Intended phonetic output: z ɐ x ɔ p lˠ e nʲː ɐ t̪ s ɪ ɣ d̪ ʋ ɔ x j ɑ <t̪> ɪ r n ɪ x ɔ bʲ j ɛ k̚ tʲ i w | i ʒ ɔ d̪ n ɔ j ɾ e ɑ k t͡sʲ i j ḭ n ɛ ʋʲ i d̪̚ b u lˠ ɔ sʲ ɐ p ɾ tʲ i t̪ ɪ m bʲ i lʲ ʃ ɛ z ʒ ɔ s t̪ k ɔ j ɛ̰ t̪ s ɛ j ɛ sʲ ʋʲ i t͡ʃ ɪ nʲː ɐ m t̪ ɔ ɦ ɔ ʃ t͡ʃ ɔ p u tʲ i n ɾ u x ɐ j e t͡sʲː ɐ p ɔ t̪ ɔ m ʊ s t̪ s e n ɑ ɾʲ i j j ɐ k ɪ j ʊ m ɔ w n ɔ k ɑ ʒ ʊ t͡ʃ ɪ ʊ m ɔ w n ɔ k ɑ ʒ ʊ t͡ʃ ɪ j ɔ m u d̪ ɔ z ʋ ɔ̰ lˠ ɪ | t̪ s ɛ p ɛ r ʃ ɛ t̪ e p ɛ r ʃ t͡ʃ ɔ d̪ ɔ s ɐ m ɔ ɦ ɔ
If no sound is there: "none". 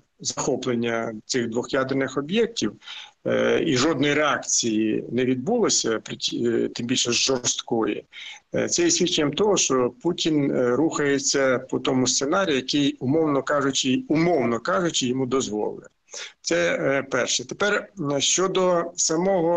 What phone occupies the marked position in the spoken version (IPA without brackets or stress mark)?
d̪